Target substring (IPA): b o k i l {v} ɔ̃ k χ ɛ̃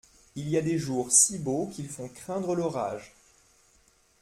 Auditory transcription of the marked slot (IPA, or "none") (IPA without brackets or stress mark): f